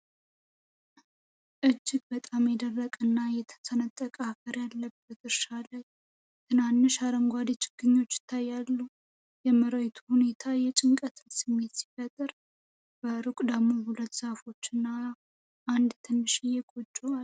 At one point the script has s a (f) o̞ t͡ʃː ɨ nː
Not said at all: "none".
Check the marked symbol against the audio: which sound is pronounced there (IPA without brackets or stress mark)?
f